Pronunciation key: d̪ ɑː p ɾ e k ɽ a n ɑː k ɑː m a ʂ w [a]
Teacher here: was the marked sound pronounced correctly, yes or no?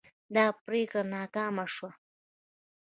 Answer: yes